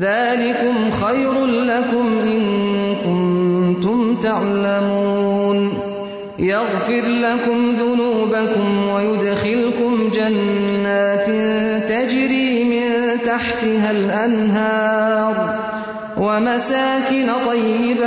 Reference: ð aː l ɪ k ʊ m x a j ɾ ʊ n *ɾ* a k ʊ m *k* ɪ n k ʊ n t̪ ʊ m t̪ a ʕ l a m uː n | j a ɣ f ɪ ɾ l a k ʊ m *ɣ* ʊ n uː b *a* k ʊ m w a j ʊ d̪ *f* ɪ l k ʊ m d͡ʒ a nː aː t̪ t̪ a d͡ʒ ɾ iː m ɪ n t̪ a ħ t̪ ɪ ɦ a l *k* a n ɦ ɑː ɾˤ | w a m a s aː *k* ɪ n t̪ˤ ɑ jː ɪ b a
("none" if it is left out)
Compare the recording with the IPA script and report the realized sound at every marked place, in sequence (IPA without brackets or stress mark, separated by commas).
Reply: l, ʔ, ð, a, x, ʔ, k